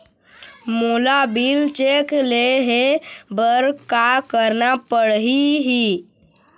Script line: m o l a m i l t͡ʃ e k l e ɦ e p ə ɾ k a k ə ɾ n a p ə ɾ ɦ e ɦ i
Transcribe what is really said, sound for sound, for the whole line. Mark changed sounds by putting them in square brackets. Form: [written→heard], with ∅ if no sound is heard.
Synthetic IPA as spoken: m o l a [m→b] i l t͡ʃ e k l e ɦ e [p→b] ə ɾ k a k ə ɾ n a p ə [ɾ→ɽ] ɦ [e→i] ɦ i